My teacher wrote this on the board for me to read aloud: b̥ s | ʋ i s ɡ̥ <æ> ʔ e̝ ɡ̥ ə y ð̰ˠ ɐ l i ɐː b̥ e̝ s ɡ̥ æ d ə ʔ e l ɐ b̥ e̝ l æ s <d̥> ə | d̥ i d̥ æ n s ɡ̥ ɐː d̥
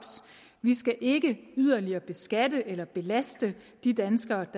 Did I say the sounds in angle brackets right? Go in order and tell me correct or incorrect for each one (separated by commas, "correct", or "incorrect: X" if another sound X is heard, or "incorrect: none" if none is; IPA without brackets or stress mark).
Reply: correct, correct